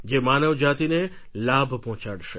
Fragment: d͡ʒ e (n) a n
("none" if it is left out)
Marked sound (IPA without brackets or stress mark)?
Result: m